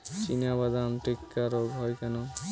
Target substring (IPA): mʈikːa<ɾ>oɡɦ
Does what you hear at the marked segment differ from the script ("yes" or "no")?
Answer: no